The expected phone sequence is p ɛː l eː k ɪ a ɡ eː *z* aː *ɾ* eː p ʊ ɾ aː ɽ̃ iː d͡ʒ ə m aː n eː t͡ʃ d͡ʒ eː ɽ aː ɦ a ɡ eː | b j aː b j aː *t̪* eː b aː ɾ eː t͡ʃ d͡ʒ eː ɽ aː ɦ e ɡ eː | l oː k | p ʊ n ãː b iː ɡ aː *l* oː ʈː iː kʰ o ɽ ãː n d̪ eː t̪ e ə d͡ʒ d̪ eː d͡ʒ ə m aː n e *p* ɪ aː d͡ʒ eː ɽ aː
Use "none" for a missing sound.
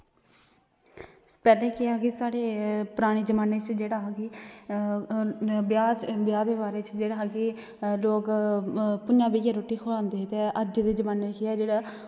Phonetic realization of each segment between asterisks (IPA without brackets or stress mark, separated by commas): s, ɽ, d̪, ɾ, k